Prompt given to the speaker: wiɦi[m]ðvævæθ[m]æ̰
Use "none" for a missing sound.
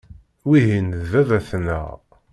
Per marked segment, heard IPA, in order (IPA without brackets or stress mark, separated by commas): n, n